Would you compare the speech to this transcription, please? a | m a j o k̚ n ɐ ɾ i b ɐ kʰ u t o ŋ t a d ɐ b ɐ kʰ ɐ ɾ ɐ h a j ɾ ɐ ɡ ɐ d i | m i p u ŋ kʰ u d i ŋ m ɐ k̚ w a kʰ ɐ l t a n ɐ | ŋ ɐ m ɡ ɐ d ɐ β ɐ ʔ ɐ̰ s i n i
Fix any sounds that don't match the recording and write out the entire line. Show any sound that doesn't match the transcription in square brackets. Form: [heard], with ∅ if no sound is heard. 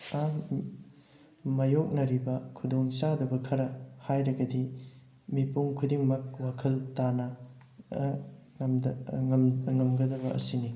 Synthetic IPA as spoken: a | m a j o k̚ n ɐ ɾ i b ɐ kʰ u [d] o ŋ [s] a d ɐ b ɐ kʰ ɐ ɾ ɐ h a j ɾ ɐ ɡ ɐ d i | m i p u ŋ kʰ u d i ŋ m ɐ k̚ w a kʰ ɐ l t a n ɐ | ŋ ɐ m ɡ ɐ d ɐ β ɐ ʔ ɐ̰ s i n i